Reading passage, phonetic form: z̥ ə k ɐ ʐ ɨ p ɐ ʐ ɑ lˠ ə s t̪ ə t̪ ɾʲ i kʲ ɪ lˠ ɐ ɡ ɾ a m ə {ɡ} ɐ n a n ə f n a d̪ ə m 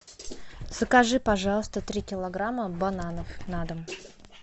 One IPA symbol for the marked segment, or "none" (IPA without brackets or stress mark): b